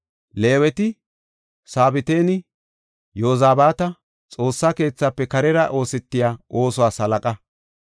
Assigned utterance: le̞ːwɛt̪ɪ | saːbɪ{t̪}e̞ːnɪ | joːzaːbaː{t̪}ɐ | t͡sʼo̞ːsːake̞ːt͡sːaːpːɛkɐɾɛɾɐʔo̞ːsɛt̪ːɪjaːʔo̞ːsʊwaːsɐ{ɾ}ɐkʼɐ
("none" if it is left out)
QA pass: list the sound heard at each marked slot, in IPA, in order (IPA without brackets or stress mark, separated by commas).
t̪, t̪, l